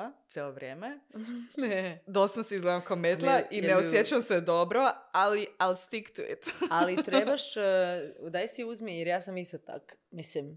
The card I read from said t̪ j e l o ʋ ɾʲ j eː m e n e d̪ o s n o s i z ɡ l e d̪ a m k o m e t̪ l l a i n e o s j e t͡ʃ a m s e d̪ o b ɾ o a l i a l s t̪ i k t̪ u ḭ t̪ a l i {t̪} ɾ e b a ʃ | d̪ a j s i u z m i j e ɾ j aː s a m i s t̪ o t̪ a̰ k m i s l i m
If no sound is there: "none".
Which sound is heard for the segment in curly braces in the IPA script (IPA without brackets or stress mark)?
t̪